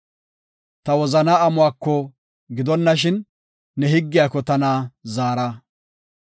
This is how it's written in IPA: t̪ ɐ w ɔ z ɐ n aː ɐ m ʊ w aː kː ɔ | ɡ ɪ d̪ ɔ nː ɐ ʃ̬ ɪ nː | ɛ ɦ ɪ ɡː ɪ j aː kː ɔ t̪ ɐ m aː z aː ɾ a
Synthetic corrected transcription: t̪ ɐ w ɔ z ɐ n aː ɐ m ʊ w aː kː ɔ | ɡ ɪ d̪ ɔ nː ɐ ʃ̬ ɪ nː | ɛ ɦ ɪ ɡː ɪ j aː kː ɔ t̪ ɐ n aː z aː ɾ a